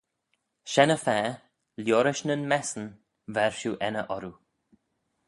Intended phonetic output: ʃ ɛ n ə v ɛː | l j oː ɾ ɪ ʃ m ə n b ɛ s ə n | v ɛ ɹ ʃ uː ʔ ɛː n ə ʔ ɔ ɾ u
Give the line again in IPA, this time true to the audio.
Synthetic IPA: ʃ ɛ n ə f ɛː | l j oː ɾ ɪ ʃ n ə n m ɛ s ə n | v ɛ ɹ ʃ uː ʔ ɛ n ə ʔ ɔ ɾ u